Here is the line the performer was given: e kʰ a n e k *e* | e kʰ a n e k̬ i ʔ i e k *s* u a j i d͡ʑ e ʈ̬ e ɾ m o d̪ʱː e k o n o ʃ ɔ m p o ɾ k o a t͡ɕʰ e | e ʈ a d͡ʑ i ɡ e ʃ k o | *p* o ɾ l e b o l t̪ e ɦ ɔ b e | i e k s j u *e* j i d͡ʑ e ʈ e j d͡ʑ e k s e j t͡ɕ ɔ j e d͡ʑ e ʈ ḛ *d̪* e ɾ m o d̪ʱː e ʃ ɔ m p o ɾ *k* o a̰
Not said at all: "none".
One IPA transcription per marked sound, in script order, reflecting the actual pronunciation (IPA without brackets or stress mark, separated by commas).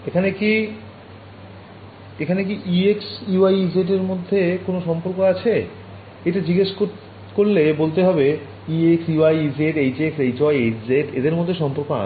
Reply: i, s, k, a, d̪, k